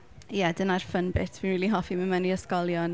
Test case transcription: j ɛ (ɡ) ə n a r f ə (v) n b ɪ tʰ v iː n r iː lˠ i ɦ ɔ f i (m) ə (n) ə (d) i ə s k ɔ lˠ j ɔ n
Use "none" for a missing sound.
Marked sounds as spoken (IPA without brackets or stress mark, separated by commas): d, none, m, m, n